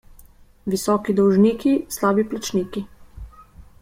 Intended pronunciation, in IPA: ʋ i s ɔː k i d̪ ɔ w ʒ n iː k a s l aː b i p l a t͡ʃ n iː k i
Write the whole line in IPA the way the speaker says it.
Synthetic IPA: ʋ i s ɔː k i d̪ ɔ w ʒ n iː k i s l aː b i p l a t͡ʃ n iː k i